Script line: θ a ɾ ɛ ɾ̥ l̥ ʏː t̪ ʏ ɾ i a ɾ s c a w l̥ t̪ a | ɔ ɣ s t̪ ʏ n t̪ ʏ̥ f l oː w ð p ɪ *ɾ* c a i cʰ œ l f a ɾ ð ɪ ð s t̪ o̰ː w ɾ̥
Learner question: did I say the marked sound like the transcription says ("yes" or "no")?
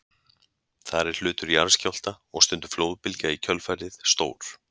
no